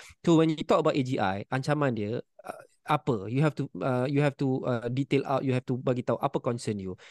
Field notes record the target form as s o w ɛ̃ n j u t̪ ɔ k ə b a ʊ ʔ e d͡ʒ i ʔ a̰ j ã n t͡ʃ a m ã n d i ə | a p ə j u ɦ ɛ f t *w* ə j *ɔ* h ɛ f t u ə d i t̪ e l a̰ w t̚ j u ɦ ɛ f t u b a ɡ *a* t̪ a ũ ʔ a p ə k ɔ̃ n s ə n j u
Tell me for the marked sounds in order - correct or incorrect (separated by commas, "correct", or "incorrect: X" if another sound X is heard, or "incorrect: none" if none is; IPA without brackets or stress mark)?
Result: incorrect: u, incorrect: u, incorrect: i